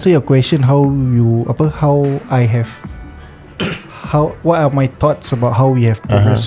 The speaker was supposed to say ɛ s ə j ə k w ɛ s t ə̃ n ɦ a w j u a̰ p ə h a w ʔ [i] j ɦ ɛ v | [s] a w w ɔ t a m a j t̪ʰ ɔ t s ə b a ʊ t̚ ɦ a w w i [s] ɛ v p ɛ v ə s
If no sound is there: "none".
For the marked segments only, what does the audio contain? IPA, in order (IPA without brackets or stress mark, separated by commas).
a, h, h